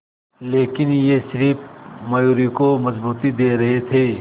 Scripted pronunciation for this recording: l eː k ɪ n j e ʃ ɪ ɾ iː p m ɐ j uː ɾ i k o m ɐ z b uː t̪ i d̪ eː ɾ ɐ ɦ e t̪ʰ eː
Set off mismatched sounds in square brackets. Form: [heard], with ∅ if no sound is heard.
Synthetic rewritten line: l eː k ɪ n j e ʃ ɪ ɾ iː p m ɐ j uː ɾ i k o m ɐ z b uː t̪ i d̪ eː ɾ ɐ ɦ e t̪ʰ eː